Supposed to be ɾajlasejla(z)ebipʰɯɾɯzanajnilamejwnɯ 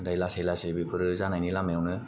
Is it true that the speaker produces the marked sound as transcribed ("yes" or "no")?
no